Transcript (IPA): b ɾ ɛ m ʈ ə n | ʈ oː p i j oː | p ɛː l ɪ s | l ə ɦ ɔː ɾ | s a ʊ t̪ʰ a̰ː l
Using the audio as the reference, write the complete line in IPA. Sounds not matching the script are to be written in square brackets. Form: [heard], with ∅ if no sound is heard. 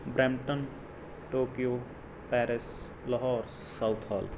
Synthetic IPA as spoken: b ɾ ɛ m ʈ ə n | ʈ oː [k] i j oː | p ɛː [ɾ] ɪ s | l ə ɦ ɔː ɾ | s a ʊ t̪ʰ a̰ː l

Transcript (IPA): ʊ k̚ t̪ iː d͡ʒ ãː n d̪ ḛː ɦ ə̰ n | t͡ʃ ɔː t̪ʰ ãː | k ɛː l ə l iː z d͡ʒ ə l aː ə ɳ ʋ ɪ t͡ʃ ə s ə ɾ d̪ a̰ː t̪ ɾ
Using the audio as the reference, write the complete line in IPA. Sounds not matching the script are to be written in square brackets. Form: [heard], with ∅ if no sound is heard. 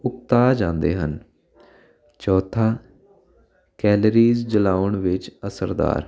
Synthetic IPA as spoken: ʊ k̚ t̪ [aː] d͡ʒ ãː n d̪ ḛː ɦ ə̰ n | t͡ʃ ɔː t̪ʰ [aː] | k ɛː l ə [ɾ] iː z d͡ʒ ə l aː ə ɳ ʋ ɪ t͡ʃ ə s ə ɾ d̪ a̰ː [∅] ɾ

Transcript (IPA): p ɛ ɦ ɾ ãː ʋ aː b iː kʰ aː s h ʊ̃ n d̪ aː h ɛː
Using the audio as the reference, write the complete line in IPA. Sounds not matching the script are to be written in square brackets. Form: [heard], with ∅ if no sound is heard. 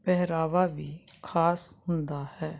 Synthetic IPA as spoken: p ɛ ɦ ɾ [aː] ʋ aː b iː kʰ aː s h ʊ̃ n d̪ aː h ɛː

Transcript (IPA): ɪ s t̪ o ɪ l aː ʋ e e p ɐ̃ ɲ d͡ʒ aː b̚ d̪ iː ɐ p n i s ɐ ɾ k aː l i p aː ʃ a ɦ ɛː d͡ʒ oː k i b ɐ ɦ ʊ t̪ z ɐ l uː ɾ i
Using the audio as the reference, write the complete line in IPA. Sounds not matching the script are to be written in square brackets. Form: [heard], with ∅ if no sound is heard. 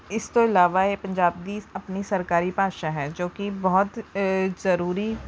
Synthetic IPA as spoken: ɪ s t̪ o ɪ l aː ʋ [a] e p ɐ̃ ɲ d͡ʒ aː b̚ d̪ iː ɐ p n i s ɐ ɾ k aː [ɾ] i p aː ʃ a ɦ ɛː d͡ʒ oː k i b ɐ ɦ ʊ t̪ z ɐ [ɾ] uː ɾ i

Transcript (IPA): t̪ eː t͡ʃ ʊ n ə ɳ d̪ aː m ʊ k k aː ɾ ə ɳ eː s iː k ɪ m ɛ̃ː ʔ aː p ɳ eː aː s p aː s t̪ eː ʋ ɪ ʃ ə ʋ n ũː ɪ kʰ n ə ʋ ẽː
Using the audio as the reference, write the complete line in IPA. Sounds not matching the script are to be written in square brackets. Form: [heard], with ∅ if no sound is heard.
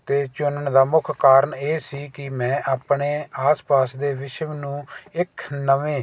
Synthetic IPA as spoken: t̪ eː t͡ʃ ʊ n ə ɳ d̪ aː m ʊ [kʰ] k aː ɾ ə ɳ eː s iː k ɪ m ɛ̃ː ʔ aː p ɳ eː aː s p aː s [d̪] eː ʋ ɪ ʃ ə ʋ n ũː ɪ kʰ n ə ʋ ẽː

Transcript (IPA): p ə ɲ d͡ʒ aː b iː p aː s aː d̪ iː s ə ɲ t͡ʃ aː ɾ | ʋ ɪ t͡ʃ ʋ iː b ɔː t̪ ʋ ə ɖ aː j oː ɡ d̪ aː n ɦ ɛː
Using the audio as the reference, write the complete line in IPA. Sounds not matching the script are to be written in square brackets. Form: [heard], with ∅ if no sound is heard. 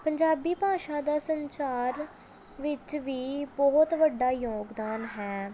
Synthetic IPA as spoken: p ə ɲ d͡ʒ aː b iː p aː [ʃ] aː d̪ [aː] s ə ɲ t͡ʃ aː ɾ | ʋ ɪ t͡ʃ ʋ iː b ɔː t̪ ʋ ə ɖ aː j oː ɡ d̪ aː n ɦ ɛː

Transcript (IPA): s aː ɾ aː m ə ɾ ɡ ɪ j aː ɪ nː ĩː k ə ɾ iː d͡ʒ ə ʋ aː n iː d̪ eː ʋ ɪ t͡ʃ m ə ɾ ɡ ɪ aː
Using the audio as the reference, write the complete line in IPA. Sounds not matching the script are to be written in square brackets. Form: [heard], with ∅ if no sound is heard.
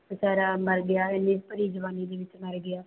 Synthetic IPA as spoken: s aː ɾ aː m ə ɾ ɡ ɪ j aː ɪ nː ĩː [p] ə ɾ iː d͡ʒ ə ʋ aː n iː d̪ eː ʋ ɪ t͡ʃ m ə ɾ ɡ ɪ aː

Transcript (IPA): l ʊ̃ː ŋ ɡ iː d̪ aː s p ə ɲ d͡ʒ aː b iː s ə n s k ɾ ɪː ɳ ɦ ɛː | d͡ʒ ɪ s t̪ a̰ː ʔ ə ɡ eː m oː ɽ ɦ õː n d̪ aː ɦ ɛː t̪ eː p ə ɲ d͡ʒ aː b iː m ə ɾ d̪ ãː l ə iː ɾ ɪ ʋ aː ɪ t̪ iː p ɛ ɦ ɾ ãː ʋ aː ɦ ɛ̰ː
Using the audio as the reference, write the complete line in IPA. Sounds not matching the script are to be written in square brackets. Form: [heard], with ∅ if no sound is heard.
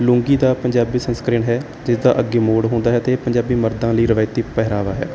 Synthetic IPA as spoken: l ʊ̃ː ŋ ɡ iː d̪ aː [∅] p ə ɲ d͡ʒ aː b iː s ə n s k ɾ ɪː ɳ ɦ ɛː | d͡ʒ ɪ s [d̪] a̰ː ʔ ə ɡ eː m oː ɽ ɦ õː n d̪ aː ɦ ɛː t̪ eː p ə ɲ d͡ʒ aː b iː m ə ɾ d̪ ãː l ə iː ɾ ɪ ʋ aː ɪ t̪ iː p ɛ ɦ ɾ [aː] ʋ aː ɦ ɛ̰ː

